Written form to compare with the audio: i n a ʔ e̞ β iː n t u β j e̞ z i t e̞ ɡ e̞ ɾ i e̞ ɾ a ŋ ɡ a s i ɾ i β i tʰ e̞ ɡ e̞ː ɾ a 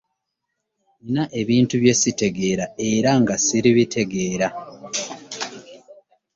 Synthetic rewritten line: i n a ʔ e̞ β iː n t u β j e̞ s i t e̞ ɡ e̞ ɾ a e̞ ɾ a ŋ ɡ a s i ɾ i β i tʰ e̞ ɡ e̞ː ɾ a